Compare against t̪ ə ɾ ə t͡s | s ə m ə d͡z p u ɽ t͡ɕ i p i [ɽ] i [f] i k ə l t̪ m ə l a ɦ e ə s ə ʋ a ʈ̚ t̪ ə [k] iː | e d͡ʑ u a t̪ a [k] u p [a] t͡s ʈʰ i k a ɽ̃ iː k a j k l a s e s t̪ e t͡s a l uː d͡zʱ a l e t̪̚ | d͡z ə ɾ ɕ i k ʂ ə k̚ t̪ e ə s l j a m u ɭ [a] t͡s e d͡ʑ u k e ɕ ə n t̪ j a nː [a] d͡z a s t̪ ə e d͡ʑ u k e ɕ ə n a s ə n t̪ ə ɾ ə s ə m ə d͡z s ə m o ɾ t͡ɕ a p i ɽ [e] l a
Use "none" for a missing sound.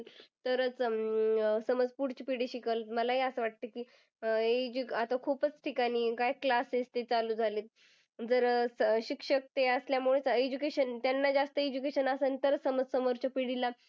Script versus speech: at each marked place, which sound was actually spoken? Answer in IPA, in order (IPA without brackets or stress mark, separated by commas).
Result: ɽ, ɕ, k, kʰ, ə, e, a, i